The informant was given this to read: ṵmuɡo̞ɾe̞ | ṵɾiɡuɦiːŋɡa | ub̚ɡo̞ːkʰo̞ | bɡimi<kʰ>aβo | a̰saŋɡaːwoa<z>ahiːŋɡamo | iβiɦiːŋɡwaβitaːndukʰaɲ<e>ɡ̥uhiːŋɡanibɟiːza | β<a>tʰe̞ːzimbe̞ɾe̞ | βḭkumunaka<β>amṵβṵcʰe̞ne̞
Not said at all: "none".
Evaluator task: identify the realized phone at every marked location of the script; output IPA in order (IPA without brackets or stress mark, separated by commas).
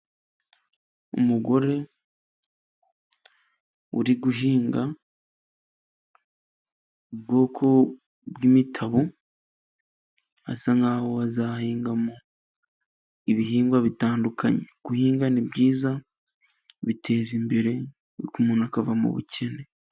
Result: tʰ, z, e, i, v